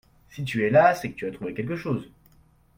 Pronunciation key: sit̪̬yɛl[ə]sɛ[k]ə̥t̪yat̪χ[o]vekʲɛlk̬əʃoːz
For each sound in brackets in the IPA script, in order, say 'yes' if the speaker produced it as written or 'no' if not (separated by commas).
no, yes, no